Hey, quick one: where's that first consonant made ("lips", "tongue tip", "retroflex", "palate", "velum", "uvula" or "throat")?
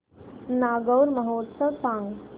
tongue tip